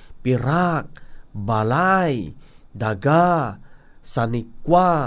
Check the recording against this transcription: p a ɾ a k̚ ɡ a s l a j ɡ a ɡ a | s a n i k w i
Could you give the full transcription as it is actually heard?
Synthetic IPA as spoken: p i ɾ a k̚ b a l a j d a ɡ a | s a n i k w a